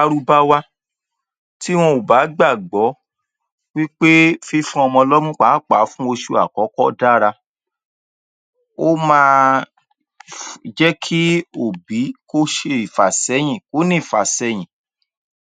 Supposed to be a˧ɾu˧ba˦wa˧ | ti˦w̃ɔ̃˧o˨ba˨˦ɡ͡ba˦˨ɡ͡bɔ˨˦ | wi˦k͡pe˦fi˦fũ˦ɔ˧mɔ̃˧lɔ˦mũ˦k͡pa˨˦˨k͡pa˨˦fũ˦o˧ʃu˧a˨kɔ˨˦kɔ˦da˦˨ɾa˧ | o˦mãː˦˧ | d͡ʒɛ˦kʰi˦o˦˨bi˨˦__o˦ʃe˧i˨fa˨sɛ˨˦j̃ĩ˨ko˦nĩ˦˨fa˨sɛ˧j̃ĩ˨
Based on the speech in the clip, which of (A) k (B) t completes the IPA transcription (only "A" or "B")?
A